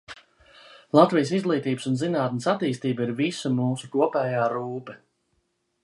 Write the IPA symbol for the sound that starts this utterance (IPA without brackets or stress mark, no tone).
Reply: lˠ